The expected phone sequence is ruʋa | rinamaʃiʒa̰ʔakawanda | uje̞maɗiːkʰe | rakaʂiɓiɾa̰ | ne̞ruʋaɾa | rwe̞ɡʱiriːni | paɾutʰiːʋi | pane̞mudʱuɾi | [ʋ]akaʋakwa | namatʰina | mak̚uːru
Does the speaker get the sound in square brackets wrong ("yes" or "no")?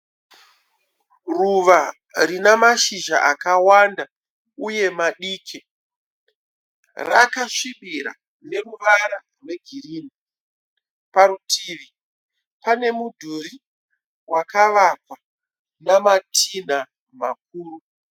yes